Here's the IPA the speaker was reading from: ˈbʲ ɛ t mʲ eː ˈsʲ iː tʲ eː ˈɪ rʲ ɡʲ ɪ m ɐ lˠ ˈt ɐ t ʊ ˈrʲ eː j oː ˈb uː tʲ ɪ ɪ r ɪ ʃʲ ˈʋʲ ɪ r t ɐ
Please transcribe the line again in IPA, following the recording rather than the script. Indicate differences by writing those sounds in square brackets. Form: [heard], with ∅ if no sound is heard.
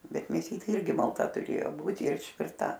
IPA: ˈbʲ ɛ t mʲ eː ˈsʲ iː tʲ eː ˈɪ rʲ ɡʲ ɪ m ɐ lˠ ˈt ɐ t ʊ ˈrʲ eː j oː ˈb uː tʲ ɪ ɪ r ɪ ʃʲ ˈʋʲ ɪ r t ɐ